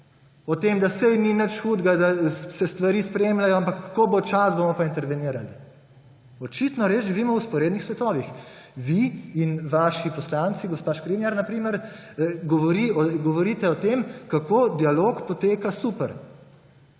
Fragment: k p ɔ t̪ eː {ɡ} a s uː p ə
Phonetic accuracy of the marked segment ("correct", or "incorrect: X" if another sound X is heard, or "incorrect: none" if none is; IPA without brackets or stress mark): incorrect: k